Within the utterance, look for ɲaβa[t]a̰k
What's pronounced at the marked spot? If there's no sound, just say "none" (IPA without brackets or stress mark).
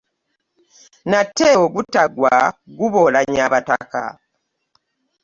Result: t